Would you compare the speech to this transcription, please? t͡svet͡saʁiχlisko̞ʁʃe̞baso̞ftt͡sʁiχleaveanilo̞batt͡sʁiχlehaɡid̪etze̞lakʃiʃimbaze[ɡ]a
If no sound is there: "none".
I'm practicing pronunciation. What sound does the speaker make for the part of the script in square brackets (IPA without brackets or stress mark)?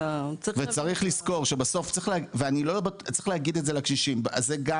ɡ